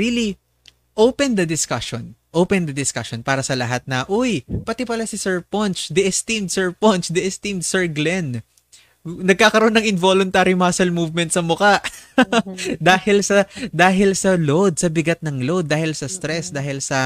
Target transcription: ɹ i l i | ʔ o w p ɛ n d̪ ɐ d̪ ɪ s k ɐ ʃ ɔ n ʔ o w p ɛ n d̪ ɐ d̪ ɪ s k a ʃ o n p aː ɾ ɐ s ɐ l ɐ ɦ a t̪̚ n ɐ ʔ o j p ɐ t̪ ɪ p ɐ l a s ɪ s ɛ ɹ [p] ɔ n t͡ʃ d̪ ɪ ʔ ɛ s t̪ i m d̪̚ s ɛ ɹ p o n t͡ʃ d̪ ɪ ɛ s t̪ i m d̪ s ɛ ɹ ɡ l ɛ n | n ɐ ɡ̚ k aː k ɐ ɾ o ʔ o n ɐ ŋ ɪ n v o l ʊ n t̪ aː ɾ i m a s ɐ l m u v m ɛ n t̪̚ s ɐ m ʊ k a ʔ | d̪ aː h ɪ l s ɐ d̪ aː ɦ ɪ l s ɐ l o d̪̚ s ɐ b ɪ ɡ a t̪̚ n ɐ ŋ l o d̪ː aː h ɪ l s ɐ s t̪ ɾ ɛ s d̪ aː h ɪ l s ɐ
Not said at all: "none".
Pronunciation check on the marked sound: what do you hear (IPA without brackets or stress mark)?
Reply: p